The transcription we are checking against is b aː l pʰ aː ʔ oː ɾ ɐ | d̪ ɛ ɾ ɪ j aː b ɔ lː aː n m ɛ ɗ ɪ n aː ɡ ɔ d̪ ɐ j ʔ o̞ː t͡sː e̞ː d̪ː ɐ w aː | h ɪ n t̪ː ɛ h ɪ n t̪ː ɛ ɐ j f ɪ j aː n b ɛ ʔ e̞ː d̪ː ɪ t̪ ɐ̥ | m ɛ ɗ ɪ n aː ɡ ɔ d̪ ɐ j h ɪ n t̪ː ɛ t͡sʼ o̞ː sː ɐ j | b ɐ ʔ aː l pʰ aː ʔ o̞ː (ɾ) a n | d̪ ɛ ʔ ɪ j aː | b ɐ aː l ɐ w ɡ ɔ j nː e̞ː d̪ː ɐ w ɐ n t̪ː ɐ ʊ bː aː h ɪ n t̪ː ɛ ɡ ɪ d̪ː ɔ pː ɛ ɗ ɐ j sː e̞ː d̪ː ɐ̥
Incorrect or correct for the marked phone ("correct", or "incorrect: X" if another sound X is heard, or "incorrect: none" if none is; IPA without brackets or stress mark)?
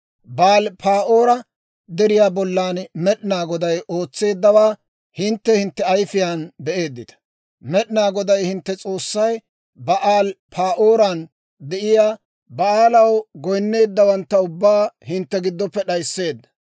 correct